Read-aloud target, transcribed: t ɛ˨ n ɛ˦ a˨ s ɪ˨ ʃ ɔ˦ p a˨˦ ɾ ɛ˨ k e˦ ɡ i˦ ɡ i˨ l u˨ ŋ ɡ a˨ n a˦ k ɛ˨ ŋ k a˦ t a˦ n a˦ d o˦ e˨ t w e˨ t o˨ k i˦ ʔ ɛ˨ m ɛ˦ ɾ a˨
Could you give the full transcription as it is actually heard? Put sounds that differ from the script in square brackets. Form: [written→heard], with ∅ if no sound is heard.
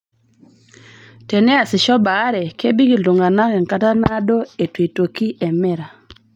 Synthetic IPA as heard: t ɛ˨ n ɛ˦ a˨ s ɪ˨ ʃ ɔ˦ [p→b] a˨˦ ɾ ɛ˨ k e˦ [ɡ→b] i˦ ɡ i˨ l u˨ ŋ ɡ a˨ n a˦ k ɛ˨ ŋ k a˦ t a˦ n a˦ d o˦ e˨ t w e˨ t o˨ k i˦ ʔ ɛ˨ m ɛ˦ ɾ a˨

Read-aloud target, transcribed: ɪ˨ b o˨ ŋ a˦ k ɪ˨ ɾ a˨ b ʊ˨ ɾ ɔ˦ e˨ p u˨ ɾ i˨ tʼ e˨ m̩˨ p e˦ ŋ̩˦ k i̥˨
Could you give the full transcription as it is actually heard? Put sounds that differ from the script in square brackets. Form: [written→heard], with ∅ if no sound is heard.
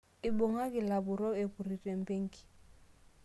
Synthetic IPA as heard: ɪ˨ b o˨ ŋ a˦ k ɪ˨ [ɾ→l] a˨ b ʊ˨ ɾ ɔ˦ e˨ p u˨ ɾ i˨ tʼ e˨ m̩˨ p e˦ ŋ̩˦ k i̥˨

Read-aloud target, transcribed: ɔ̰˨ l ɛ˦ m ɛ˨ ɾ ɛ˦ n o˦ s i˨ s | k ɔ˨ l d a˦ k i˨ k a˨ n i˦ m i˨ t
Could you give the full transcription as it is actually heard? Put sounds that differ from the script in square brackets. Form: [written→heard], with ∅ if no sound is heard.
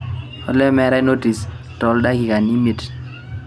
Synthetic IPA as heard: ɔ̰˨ l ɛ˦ m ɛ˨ ɾ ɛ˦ n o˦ [s→t] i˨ s | [k→t] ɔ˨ l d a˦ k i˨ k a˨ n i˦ m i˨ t

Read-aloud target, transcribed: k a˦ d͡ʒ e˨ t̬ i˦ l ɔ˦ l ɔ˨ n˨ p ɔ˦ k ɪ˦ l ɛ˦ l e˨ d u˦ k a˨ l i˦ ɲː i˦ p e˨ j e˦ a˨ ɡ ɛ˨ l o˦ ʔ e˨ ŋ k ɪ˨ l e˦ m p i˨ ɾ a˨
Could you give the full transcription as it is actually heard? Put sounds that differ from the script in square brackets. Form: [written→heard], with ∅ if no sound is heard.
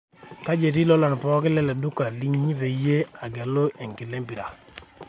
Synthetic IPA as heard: k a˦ d͡ʒ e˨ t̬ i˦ l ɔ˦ l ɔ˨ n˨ p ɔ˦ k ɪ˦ l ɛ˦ l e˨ d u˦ k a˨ l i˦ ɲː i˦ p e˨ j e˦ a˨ ɡ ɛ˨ l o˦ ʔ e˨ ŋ k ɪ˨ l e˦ m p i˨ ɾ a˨

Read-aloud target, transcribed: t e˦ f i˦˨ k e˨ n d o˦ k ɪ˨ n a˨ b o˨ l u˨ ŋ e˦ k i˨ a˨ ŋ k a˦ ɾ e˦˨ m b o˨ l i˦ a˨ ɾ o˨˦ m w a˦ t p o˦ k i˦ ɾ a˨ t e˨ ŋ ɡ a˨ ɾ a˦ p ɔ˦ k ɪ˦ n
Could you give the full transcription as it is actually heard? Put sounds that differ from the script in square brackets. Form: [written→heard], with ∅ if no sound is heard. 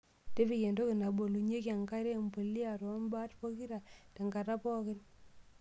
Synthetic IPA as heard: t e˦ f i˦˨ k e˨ n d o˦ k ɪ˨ n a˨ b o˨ l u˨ [ŋ→ɲ] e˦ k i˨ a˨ ŋ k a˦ ɾ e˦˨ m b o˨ l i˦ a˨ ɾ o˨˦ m [w→b] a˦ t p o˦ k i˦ ɾ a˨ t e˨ ŋ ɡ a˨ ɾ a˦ p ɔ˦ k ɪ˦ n

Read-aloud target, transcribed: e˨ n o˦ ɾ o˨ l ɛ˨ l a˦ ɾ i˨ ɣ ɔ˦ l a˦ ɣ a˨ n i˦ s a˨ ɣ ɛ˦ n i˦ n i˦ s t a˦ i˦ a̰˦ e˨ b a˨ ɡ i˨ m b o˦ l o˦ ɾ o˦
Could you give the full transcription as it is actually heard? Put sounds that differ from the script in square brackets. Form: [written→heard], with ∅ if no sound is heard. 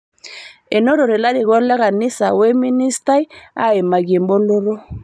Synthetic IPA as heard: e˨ n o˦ ɾ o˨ [l→ɾ] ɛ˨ l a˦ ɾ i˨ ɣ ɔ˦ l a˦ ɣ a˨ n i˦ s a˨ [ɣ→w] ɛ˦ [n→m] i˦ n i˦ s t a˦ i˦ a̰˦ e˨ [b→m] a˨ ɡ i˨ m b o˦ l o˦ ɾ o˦

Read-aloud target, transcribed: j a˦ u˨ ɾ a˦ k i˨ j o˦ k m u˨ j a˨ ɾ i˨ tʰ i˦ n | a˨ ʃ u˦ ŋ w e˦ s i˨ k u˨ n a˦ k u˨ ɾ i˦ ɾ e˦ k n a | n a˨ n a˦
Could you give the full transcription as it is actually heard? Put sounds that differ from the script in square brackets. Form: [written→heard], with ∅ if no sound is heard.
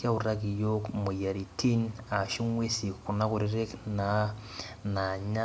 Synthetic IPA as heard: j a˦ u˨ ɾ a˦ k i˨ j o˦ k m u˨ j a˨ ɾ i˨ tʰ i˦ n | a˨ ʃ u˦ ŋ w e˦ s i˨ k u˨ n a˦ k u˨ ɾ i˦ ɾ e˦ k n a | n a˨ [n→ɲ] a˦

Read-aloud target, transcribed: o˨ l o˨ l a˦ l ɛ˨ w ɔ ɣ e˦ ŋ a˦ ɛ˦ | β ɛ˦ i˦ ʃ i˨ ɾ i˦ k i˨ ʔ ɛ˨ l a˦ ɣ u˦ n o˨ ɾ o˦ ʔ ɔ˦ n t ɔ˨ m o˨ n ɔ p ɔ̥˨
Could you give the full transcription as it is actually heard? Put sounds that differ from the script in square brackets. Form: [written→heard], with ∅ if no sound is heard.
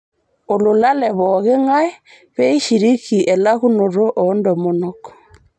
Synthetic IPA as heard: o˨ l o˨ l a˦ l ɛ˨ [w→β] ɔ ɣ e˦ ŋ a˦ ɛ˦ | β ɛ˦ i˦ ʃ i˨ ɾ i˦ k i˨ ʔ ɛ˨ l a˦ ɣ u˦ n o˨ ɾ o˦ ʔ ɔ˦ n [t→d] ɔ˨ m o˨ n ɔ [p→k] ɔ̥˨

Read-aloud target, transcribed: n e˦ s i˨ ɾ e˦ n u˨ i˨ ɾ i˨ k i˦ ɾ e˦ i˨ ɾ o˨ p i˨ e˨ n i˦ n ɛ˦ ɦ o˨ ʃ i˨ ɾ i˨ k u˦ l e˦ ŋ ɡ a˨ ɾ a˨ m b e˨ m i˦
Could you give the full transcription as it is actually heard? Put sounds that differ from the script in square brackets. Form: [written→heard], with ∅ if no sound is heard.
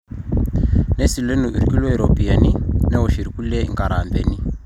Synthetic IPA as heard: n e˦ s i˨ [ɾ→l] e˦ n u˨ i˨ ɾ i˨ k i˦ [ɾ→l] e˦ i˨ ɾ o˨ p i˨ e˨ n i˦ n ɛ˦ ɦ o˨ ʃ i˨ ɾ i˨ k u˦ l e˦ ŋ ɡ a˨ ɾ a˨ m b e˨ [m→n] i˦

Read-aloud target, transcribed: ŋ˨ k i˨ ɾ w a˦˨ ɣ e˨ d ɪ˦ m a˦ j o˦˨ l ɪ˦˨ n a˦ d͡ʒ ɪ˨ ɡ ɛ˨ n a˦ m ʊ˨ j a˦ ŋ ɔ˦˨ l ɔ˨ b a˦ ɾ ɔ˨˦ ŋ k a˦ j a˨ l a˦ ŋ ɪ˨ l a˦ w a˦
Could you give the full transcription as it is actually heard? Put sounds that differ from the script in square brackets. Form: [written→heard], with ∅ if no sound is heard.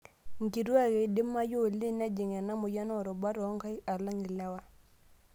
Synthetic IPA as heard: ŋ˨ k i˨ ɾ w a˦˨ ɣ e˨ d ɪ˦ m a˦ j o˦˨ l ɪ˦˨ n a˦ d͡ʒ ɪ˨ [ɡ→ŋ] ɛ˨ n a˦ m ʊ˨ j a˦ [ŋ→n] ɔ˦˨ [l→ɾ] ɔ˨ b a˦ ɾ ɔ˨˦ ŋ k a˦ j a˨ l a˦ ŋ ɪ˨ l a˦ w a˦

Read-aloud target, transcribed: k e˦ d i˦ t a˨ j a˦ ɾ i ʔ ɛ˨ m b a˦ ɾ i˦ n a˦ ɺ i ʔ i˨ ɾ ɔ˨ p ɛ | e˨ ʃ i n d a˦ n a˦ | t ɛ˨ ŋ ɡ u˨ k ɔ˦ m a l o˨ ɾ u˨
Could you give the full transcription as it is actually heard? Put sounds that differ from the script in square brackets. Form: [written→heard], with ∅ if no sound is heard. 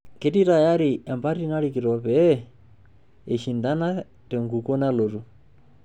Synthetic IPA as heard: k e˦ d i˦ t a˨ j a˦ ɾ i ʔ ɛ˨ m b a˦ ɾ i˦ n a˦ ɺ i [ʔ→k] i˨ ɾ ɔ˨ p ɛ | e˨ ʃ i n d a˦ n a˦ | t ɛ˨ ŋ ɡ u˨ k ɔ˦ [m→n] a l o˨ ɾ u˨

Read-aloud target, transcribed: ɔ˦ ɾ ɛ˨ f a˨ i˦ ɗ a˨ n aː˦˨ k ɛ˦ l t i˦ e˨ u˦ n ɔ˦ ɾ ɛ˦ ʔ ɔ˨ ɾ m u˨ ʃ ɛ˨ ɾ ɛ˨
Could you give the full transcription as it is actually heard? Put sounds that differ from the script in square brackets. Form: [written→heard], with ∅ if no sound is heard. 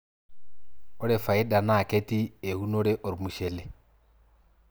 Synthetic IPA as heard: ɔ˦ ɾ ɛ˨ f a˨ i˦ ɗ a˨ n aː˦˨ k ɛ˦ [l→∅] t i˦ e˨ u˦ n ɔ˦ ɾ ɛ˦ ʔ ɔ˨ ɾ m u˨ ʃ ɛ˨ [ɾ→l] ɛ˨

